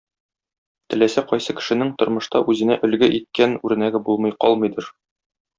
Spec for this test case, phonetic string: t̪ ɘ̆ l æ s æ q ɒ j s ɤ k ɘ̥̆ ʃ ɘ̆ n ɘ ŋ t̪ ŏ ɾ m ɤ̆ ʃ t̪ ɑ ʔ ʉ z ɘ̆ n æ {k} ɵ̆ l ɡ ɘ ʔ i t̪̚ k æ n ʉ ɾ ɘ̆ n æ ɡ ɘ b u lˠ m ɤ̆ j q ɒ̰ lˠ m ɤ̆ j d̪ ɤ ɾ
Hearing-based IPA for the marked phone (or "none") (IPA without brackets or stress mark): ʔ